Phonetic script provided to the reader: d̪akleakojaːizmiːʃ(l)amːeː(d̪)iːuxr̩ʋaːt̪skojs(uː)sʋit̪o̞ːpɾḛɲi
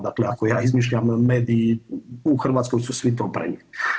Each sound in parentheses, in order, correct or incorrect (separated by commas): incorrect, correct, incorrect